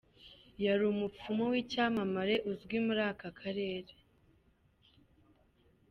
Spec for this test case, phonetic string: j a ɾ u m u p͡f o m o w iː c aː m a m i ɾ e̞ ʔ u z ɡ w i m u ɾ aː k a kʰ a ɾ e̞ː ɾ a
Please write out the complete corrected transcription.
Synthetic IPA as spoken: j a ɾ u m u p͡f u m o w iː c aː m a m a ɾ e̞ ʔ u z ɡ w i m u ɾ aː k a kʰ a ɾ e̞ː ɾ e